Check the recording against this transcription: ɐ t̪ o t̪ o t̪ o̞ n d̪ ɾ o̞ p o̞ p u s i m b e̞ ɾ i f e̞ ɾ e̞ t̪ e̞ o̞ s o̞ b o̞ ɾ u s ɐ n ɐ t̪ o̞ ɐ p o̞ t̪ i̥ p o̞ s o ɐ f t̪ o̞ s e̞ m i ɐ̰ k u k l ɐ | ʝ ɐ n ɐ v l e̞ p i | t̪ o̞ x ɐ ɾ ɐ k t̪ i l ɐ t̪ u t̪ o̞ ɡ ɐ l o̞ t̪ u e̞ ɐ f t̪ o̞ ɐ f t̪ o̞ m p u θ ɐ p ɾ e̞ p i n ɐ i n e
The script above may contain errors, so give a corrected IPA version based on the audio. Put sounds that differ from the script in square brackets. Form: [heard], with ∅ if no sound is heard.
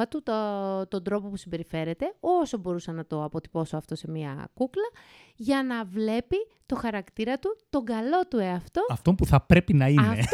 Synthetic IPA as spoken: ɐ t̪ [u] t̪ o t̪ o̞ n d̪ ɾ o̞ p o̞ p u s i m b e̞ ɾ i f e̞ ɾ e̞ t̪ e̞ o̞ s o̞ b o̞ ɾ u s ɐ n ɐ t̪ o̞ ɐ p o̞ t̪ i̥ p o̞ s o ɐ f t̪ o̞ s e̞ m i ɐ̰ k u k l ɐ | ʝ ɐ n ɐ v l e̞ p i | t̪ o̞ x ɐ ɾ ɐ k t̪ i [ɾ] ɐ t̪ u t̪ o̞ ɡ ɐ l o̞ t̪ u e̞ ɐ f t̪ o̞ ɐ f t̪ o̞ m p u θ ɐ p ɾ e̞ p i n ɐ i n e